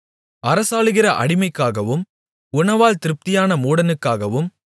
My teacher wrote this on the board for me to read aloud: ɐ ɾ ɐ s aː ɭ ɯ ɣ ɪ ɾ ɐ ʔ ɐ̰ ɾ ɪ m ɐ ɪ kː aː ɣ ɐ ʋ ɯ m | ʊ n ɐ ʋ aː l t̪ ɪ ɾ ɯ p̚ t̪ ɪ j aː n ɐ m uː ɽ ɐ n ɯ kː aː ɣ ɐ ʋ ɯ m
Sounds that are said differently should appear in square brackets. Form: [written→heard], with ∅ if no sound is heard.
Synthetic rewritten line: ɐ ɾ ɐ s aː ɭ ɯ ɣ ɪ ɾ ɐ ʔ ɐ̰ [ɾ→ɽ] ɪ m ɐ ɪ kː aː ɣ ɐ ʋ ɯ m | ʊ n ɐ ʋ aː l t̪ ɪ ɾ ɯ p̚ t̪ ɪ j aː n ɐ m uː ɽ ɐ n ɯ kː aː ɣ ɐ ʋ ɯ m